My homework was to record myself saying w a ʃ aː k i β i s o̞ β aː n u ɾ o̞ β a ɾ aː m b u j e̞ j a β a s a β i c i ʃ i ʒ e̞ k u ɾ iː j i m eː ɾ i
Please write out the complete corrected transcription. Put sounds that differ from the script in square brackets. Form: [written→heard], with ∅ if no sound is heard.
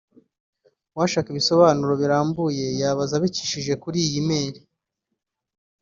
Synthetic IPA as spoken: w a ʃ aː k i β i s o̞ β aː n u ɾ o̞ β [a→i] ɾ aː m b u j e̞ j a β a [s→z] a β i c i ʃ i ʒ e̞ k u ɾ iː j i m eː ɾ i